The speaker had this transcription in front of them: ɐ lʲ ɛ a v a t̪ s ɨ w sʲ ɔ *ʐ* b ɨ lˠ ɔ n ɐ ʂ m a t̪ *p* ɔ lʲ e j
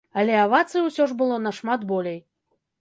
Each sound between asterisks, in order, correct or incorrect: correct, incorrect: b

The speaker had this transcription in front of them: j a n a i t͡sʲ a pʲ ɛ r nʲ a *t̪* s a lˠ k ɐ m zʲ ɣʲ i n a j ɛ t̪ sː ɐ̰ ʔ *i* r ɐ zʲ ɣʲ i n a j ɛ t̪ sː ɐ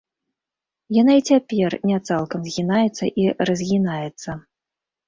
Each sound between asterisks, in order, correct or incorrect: correct, correct

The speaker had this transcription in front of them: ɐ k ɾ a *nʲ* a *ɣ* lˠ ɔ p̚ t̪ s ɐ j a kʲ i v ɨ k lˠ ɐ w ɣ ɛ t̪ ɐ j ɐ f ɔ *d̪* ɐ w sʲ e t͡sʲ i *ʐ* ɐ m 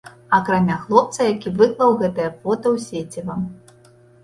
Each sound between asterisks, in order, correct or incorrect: incorrect: mʲ, incorrect: x, incorrect: t̪, incorrect: v

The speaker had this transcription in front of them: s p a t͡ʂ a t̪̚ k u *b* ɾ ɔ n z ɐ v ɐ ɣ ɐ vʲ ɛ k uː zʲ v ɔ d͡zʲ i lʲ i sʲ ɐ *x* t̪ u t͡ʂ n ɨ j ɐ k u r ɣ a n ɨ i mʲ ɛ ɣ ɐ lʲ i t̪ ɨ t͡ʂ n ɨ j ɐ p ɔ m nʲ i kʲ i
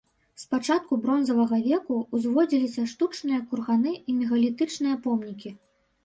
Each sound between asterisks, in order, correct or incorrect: correct, incorrect: ʂ

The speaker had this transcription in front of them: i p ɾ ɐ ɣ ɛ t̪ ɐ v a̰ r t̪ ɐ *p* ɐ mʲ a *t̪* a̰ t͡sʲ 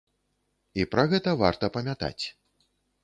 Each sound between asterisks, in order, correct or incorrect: correct, correct

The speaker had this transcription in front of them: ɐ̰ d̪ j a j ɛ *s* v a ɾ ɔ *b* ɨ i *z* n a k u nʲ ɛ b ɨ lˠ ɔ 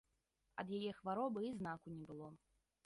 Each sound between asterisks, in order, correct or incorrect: incorrect: x, correct, correct

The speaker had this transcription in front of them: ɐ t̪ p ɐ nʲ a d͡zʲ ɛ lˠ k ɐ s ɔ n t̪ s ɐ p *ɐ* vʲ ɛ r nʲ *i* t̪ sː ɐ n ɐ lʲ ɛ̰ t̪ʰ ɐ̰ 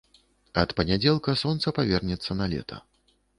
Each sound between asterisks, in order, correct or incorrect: incorrect: a, incorrect: ɛ

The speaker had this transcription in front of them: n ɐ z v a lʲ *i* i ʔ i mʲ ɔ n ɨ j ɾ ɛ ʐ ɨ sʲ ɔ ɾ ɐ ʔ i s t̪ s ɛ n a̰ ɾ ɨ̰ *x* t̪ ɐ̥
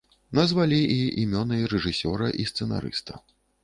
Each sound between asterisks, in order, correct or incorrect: correct, incorrect: s

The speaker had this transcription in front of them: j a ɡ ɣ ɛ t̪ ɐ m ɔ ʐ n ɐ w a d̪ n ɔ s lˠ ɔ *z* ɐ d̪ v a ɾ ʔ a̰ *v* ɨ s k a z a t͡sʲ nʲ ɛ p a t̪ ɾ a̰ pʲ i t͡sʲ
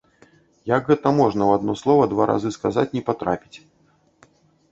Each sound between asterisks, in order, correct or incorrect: incorrect: v, incorrect: z

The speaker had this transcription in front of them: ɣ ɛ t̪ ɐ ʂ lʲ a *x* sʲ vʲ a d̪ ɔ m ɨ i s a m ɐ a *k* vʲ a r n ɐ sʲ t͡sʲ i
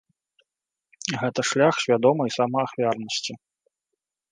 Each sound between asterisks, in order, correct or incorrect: correct, incorrect: x

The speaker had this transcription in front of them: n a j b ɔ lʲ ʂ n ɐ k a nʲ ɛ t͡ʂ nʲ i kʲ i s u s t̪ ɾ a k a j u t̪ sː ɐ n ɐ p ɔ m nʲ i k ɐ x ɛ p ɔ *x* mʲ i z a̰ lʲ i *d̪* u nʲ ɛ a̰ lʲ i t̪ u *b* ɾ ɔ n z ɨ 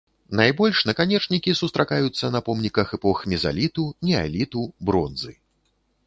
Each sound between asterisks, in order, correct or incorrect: correct, incorrect: t̪, correct

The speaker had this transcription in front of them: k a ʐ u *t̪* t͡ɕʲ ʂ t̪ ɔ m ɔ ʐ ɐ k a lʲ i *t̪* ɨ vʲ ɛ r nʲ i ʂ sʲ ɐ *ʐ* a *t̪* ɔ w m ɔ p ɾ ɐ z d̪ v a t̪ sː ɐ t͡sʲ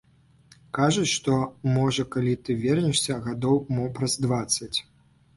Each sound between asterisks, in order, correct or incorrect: incorrect: none, correct, incorrect: ɣ, incorrect: d̪

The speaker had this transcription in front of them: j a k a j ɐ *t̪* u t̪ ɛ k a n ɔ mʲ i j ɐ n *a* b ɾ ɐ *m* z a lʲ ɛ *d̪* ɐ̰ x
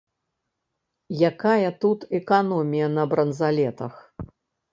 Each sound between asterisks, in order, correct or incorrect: correct, incorrect: ɐ, incorrect: n, incorrect: t̪

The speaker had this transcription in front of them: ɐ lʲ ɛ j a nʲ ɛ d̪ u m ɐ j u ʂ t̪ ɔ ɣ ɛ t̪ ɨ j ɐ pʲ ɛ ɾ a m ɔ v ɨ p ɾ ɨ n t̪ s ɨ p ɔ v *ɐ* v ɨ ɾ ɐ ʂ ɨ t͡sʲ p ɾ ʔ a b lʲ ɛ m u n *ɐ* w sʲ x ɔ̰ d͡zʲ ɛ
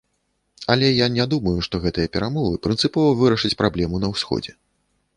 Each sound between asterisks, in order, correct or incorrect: correct, correct

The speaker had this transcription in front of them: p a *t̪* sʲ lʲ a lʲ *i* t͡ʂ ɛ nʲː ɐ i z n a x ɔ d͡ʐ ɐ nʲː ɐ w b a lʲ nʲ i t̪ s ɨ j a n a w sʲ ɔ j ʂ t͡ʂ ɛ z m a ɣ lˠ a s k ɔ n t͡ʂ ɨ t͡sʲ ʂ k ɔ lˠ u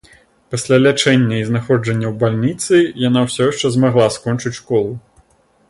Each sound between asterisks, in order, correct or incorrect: incorrect: none, incorrect: a

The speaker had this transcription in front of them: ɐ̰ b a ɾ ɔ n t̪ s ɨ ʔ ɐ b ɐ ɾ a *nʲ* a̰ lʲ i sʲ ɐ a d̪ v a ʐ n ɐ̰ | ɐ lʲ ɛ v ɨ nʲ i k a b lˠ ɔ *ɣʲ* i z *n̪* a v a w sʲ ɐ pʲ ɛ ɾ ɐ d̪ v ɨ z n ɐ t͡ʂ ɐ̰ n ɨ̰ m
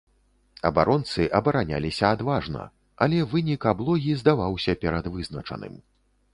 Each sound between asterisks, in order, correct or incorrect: correct, correct, incorrect: d̪

